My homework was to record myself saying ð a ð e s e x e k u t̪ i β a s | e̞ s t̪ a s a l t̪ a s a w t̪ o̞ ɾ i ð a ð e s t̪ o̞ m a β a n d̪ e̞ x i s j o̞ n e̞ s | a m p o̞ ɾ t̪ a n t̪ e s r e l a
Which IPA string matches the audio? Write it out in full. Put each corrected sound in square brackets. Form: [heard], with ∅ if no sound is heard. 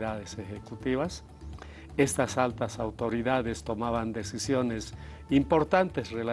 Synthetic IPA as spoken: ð a ð e s e x e k u t̪ i β a s | e̞ s t̪ a s a l t̪ a s a w t̪ o̞ ɾ i ð a ð e s t̪ o̞ m a β a n d̪ e̞ [s] i s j o̞ n e̞ s | [i] m p o̞ ɾ t̪ a n t̪ e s r e l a